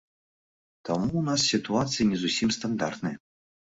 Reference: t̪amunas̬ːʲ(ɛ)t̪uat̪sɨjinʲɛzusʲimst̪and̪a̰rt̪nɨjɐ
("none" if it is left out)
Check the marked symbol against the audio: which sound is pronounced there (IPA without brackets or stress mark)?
i